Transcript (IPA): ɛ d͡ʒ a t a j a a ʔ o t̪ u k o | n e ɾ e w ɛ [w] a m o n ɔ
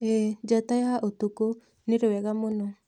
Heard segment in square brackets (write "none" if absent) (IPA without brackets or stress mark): ɣ